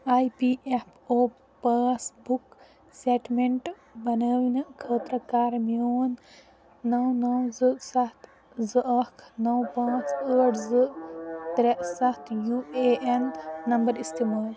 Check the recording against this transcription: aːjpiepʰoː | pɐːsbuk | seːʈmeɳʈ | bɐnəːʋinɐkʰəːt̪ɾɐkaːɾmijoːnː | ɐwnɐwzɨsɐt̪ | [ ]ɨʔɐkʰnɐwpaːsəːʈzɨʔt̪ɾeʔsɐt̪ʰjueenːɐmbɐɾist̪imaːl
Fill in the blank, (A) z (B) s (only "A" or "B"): A